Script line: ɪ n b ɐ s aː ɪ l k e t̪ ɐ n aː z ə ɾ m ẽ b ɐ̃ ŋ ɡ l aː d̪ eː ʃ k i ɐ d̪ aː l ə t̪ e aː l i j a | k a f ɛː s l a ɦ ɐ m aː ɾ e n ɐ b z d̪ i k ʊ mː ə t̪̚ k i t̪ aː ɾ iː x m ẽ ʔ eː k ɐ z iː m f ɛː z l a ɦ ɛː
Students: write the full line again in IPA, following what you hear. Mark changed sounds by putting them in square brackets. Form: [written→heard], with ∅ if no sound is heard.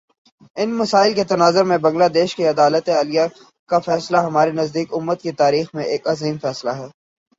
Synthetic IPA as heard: ɪ n [b→m] ɐ s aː ɪ l k e t̪ ɐ n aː z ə ɾ m ẽ b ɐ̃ ŋ ɡ l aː d̪ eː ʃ k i ɐ d̪ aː l ə t̪ e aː l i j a | k a f ɛː s l a ɦ ɐ m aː ɾ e n ɐ [b→∅] z d̪ [i→iː] k ʊ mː ə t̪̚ k i t̪ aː ɾ iː x m ẽ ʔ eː k ɐ z iː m f ɛː [z→s] l a ɦ ɛː